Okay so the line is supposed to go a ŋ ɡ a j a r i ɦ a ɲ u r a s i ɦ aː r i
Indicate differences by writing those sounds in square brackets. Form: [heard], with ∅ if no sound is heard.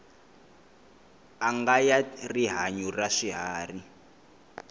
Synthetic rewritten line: a ŋ ɡ a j a r i ɦ a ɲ u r a [ʂ] i ɦ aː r i